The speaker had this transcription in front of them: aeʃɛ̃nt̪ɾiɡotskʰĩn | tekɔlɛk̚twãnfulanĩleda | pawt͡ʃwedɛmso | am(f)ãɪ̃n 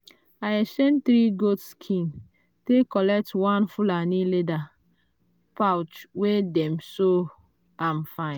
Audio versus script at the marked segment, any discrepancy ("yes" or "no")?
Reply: no